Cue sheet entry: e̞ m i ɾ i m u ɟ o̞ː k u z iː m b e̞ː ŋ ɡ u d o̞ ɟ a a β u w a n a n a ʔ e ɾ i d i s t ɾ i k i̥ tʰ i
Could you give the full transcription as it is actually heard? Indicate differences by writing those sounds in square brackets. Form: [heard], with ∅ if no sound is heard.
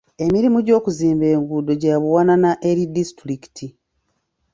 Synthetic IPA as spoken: e̞ m i ɾ i m u ɟ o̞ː k u z iː m b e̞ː ŋ ɡ u d o̞ ɟ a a β u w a n a n a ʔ e ɾ i d i s t ɾ i k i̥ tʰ i